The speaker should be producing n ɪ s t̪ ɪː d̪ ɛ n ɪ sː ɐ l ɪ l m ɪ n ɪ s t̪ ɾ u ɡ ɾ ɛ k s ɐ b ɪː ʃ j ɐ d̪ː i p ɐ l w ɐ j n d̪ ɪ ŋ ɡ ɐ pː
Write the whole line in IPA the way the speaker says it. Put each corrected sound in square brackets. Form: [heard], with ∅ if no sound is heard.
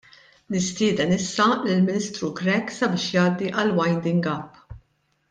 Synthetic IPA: n ɪ s t̪ ɪː d̪ ɛ n ɪ sː ɐ l ɪ l m ɪ n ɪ s t̪ ɾ u ɡ ɾ ɛ k s ɐ b ɪː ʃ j [ɐː] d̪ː i [ʔ] ɐ l w ɐ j n d̪ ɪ ŋ ɡ ɐ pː